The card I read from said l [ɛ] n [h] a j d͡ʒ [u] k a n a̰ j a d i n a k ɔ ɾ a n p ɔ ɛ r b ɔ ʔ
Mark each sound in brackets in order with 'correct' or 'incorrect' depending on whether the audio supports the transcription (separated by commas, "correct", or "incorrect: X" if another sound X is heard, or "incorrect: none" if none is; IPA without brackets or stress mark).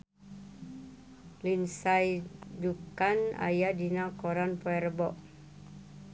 incorrect: i, incorrect: s, correct